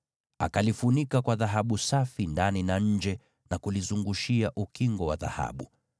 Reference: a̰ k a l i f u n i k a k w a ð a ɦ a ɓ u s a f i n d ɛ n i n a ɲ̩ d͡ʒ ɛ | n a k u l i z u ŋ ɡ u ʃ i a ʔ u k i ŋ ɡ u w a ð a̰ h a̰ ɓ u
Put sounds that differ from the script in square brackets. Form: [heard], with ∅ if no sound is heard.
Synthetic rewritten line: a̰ k a l i f u n i k a k w a ð a ɦ a ɓ u s a f i n d [a] n i n a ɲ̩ d͡ʒ ɛ | n a k u l i z u ŋ ɡ u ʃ i a ʔ u k i ŋ ɡ [ɔ] w a ð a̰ h a̰ ɓ u